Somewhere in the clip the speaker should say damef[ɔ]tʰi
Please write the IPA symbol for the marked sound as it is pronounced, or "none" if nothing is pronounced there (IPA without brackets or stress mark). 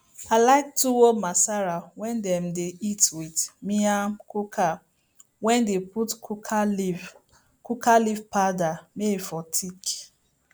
ɔ